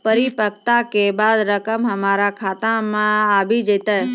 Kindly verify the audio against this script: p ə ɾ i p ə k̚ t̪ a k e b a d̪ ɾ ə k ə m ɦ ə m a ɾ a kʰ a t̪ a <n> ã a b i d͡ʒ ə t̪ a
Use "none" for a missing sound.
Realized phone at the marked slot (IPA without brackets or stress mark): m